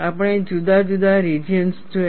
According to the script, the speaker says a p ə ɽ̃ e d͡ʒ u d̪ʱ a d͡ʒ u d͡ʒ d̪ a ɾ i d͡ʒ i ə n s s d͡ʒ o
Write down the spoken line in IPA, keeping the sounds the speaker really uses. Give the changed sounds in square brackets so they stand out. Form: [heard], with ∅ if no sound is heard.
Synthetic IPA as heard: a p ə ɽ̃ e d͡ʒ u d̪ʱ a d͡ʒ u [∅] d̪ a ɾ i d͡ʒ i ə n s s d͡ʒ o